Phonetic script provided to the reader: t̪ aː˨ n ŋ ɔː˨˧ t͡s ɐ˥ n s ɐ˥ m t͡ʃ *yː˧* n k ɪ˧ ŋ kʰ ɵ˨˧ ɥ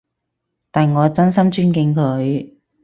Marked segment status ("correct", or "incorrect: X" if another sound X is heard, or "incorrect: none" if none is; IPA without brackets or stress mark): incorrect: yː˥